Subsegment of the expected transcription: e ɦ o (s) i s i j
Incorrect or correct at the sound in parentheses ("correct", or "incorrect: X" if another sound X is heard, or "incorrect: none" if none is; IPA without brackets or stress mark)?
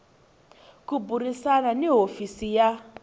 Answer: incorrect: f